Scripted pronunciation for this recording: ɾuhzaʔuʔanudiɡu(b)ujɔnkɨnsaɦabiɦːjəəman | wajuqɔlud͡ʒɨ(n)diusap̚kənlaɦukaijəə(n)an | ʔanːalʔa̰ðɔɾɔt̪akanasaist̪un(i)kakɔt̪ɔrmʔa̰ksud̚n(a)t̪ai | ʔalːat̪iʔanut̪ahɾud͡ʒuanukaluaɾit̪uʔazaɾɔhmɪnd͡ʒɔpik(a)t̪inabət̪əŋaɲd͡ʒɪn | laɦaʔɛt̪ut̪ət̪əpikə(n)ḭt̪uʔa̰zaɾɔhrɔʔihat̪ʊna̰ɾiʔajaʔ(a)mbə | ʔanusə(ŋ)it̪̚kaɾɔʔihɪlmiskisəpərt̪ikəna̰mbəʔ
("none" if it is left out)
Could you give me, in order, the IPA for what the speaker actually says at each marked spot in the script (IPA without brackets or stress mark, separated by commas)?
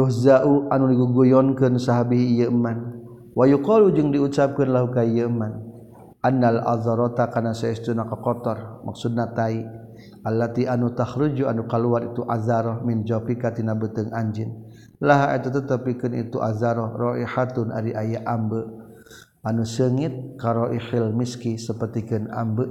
ɡ, ŋ, m, a, a, a, n, a, ŋ